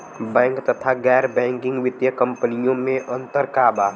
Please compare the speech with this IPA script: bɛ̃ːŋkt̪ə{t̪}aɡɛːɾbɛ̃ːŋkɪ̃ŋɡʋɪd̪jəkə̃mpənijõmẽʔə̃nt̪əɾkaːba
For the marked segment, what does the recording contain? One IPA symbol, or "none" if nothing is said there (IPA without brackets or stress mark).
t̪ʰ